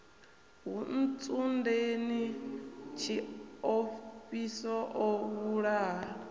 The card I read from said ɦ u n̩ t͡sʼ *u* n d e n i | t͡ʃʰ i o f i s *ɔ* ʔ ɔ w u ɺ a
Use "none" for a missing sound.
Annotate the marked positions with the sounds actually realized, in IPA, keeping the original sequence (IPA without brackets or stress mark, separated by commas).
u, ɔ